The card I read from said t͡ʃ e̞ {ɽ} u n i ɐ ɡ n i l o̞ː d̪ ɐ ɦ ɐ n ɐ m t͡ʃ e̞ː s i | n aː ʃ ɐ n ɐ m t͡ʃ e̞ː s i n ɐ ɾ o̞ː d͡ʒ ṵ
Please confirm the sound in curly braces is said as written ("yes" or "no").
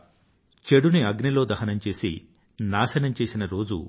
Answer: yes